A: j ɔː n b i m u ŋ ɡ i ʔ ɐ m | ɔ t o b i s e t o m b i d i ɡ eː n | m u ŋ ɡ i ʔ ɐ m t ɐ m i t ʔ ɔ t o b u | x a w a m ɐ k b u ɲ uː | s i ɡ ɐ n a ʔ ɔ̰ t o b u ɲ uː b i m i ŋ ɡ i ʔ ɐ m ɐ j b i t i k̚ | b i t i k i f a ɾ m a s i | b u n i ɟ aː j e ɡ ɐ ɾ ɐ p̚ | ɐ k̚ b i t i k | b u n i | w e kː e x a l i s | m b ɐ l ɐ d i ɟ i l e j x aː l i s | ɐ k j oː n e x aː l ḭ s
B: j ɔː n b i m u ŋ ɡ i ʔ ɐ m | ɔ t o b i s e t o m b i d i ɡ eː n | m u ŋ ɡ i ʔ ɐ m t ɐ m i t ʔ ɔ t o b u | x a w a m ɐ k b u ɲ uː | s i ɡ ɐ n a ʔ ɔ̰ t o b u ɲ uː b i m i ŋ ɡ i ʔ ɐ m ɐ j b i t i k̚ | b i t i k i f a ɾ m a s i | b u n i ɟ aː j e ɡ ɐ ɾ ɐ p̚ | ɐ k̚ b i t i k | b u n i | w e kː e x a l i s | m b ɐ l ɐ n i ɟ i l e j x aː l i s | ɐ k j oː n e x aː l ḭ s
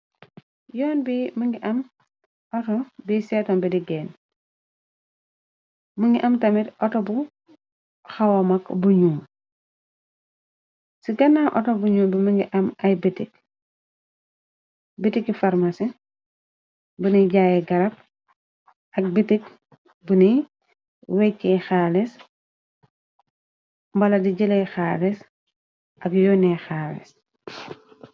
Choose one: A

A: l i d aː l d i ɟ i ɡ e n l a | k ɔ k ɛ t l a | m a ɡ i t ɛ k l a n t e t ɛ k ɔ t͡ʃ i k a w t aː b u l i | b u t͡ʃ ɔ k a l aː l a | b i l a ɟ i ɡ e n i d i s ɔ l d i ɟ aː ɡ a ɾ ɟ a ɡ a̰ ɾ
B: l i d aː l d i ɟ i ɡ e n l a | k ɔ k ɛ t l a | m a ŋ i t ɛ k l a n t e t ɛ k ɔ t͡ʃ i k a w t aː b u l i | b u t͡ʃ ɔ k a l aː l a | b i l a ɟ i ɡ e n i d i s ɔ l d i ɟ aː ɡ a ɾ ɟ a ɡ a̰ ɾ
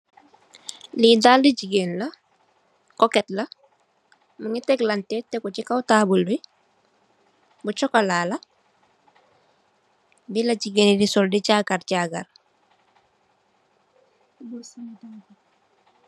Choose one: B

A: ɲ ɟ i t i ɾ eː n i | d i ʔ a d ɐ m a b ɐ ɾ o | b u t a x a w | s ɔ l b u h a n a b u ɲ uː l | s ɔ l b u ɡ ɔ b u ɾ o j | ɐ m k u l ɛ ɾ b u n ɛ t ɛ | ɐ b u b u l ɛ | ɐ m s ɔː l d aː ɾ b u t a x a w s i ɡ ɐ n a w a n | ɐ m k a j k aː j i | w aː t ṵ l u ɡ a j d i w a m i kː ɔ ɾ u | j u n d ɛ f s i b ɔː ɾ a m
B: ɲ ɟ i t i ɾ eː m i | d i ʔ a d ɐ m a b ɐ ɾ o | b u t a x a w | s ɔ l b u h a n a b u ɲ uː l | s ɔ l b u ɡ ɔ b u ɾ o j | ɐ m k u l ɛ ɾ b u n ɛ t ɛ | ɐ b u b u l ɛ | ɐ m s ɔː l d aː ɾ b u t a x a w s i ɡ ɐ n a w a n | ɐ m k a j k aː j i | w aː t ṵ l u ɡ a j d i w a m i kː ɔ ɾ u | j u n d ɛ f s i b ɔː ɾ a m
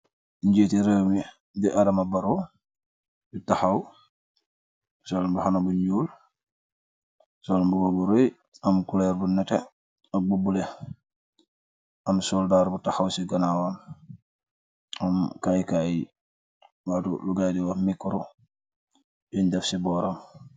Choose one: B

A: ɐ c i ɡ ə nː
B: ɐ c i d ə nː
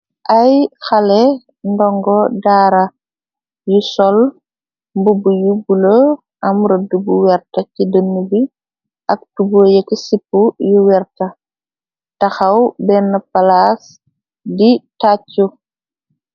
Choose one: B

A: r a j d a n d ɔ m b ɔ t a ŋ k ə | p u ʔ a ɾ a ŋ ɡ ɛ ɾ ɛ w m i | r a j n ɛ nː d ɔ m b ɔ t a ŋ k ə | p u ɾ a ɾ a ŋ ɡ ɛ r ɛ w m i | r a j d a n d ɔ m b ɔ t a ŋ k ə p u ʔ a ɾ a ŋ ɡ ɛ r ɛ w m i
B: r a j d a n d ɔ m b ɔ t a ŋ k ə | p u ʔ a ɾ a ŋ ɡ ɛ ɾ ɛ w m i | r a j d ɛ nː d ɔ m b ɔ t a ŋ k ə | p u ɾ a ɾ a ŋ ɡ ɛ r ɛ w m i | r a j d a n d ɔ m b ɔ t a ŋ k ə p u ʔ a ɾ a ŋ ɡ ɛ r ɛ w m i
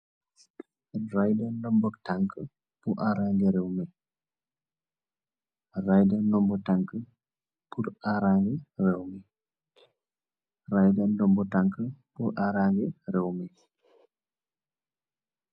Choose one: B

